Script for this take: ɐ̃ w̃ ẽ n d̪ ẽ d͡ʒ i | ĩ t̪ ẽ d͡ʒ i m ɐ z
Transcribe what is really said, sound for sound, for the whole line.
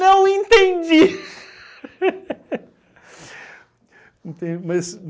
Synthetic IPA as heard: ɐ̃ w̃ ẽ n t̪ ẽ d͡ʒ i | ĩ t̪ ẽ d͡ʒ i m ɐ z

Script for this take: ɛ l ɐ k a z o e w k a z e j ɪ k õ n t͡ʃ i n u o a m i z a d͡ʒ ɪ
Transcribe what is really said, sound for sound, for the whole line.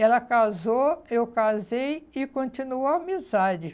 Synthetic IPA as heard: ɛ l ɐ k a z o e w k a z e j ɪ k õ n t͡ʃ i n u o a m i z a d͡ʒ ɪ

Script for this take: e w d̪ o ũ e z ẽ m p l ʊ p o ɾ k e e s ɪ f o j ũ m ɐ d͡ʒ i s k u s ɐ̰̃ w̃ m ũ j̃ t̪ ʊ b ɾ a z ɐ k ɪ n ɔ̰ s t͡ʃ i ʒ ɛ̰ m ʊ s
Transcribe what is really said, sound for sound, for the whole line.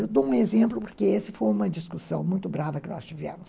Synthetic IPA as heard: e w d̪ o ũ e z ẽ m p l ʊ p o ɾ k e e s ɪ f o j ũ m ɐ d͡ʒ i s k u s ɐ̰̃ w̃ m ũ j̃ t̪ ʊ b ɾ a v ɐ k ɪ n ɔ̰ s t͡ʃ i v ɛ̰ m ʊ s

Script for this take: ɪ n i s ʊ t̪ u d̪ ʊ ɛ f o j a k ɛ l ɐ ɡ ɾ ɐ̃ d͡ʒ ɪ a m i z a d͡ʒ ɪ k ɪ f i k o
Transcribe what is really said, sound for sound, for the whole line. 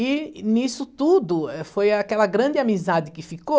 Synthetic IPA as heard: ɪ n i s ʊ t̪ u d̪ ʊ ɛ f o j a k ɛ l ɐ ɡ ɾ ɐ̃ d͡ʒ ɪ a m i z a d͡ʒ ɪ k ɪ f i k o

